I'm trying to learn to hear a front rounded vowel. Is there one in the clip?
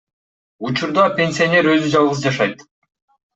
yes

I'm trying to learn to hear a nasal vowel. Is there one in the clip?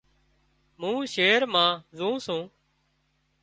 yes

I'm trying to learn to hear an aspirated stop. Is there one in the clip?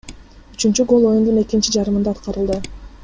no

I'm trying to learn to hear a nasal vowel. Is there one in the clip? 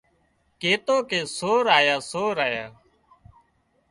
no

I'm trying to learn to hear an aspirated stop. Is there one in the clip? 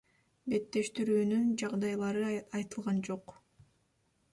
no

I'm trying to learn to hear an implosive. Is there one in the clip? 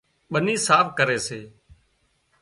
yes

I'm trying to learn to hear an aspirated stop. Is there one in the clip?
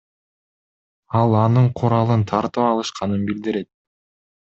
yes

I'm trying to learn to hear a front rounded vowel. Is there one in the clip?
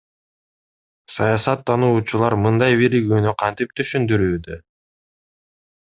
yes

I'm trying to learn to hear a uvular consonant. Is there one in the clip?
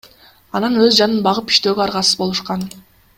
yes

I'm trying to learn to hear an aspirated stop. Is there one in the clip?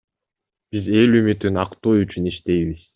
no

